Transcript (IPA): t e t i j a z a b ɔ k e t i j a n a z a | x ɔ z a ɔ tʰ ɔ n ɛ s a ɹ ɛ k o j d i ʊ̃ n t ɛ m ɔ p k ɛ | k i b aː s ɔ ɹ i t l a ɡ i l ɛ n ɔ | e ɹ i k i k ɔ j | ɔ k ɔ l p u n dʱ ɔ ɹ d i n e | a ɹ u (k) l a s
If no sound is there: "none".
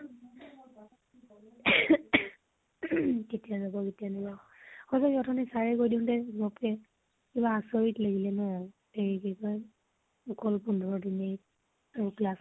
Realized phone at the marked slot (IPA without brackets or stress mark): k